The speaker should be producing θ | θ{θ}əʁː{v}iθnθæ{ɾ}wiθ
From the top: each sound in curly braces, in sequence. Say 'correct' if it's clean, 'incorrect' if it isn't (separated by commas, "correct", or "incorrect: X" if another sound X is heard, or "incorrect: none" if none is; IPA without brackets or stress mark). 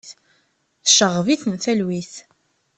incorrect: ʃ, correct, incorrect: l